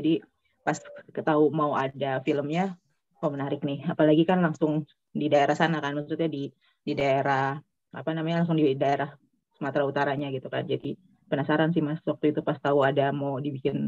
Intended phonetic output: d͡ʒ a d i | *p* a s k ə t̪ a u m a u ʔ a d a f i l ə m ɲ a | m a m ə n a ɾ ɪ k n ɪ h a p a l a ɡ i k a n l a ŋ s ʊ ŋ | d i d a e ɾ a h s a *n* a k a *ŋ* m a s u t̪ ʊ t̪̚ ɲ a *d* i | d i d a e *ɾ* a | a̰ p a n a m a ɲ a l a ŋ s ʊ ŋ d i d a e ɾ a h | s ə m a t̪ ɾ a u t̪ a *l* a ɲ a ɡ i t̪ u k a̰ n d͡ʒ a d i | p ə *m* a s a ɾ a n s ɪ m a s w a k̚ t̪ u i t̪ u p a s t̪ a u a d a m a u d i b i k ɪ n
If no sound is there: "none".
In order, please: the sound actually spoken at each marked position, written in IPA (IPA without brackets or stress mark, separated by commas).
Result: p, n, n, d, ɾ, ɾ, n